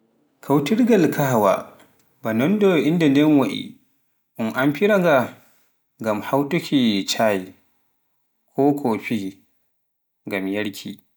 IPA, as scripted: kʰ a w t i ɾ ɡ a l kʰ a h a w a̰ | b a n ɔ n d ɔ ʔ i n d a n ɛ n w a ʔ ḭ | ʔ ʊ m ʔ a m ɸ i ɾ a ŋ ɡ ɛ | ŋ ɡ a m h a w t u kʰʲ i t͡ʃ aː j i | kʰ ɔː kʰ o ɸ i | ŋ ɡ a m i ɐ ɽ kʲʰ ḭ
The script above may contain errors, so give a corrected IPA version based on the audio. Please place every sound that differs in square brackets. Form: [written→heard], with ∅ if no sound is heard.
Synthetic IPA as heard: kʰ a w t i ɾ ɡ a l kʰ a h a w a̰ | b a n ɔ n d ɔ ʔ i n d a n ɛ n w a ʔ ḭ | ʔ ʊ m ʔ a m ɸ i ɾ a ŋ ɡ [ɛ→a] | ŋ ɡ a m h a w t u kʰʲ i t͡ʃ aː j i | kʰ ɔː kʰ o ɸ i | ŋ ɡ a m [i→j] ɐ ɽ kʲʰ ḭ

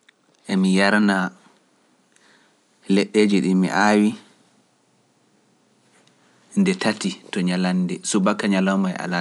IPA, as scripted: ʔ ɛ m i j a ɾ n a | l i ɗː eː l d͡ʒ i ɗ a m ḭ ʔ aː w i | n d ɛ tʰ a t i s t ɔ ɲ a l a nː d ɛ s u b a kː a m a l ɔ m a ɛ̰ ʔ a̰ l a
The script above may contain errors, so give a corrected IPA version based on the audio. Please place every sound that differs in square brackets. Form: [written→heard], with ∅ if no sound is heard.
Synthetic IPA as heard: ʔ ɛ m i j a ɾ n a | l [i→ɛ] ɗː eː [l→∅] d͡ʒ i ɗ [a→i] m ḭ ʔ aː w i | n d ɛ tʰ a t i [s→∅] t ɔ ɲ a l a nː d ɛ s u b a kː a [m→ɲ] a l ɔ m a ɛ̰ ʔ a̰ l a

